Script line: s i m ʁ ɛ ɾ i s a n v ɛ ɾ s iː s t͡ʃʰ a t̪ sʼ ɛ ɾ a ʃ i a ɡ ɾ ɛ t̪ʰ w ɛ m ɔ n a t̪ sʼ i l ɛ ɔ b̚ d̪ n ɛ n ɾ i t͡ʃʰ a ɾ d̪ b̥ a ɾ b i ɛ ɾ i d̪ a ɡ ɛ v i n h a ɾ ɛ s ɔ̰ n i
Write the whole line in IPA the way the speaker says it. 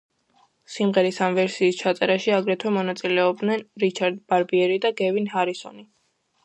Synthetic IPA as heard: s i m ʁ ɛ ɾ i s a m v ɛ ɾ s iː s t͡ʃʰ a t̪ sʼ ɛ ɾ a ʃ i a ɡ ɾ ɛ t̪ʰ w ɛ m ɔ n a t̪ sʼ i l ɛ ɔ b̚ d̪ n ɛ n ɾ i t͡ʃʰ a ɾ d̪ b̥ a ɾ b i ɛ ɾ i d̪ a ɡ ɛ v i n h a ɾ i s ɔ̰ n i